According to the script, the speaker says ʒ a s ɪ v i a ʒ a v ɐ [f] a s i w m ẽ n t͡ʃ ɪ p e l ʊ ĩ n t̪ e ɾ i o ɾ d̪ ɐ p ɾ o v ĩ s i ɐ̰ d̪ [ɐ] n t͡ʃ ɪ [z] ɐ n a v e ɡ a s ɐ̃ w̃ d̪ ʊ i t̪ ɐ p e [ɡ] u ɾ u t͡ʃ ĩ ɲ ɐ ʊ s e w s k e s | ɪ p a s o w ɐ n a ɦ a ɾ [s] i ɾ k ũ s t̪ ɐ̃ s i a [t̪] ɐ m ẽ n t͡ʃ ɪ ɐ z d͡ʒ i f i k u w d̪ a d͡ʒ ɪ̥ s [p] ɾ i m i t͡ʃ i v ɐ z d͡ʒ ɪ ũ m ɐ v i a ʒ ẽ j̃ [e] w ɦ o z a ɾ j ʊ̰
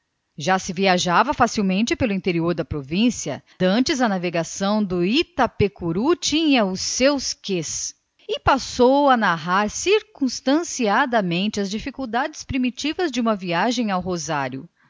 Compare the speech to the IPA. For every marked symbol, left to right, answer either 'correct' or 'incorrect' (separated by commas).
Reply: correct, incorrect, correct, incorrect, correct, incorrect, correct, incorrect